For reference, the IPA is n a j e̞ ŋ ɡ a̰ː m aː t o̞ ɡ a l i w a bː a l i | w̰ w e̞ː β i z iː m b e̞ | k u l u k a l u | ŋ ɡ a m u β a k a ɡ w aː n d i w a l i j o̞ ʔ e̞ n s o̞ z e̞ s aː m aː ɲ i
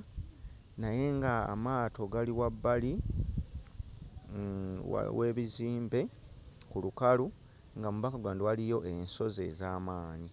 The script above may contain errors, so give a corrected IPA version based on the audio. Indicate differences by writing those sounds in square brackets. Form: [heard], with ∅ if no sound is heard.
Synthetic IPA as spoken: n a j e̞ ŋ ɡ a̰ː m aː t o̞ ɡ a l i w a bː a l i | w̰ w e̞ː β i z iː m b e̞ | k u l u k a l u | ŋ ɡ a m u β a k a ɡ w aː n d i w a l i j o̞ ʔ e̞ n s o̞ z e̞ [z] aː m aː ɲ i